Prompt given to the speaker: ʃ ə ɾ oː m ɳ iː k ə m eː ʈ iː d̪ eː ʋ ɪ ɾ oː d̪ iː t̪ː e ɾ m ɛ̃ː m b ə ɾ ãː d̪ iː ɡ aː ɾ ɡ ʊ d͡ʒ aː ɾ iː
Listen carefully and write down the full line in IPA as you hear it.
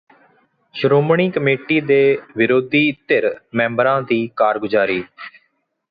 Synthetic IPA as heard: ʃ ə ɾ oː m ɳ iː k ə m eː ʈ iː d̪ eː ʋ ɪ ɾ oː d̪ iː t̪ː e ɾ m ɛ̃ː m b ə ɾ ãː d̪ iː k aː ɾ ɡ ʊ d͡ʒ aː ɾ iː